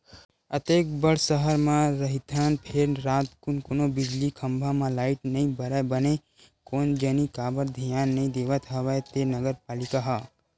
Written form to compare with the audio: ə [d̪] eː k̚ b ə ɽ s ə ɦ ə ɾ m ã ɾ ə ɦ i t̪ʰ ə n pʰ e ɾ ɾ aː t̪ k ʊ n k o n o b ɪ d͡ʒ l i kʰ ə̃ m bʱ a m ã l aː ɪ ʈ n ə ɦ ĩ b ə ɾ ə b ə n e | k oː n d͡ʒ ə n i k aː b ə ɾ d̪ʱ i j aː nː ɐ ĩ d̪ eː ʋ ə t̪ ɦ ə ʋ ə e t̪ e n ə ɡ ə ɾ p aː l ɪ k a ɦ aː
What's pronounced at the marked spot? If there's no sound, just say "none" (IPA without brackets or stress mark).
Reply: t̪